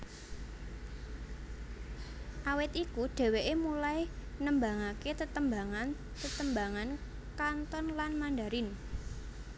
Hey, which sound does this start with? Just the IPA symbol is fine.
ʔ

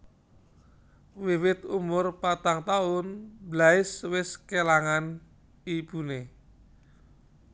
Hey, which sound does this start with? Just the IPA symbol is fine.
w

